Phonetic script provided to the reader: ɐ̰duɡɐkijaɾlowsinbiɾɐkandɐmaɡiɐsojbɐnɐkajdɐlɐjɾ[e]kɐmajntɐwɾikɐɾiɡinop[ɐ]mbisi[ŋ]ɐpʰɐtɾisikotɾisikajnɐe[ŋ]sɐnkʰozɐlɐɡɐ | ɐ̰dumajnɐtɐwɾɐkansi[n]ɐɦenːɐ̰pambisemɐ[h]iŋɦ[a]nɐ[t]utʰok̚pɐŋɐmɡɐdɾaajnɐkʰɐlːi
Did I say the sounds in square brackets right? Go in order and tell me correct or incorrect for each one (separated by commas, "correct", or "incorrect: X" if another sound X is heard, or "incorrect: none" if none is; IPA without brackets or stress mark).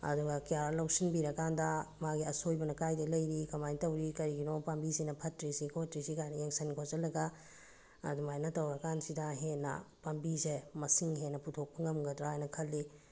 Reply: incorrect: i, incorrect: a, incorrect: n, correct, incorrect: d, incorrect: s, incorrect: e, incorrect: p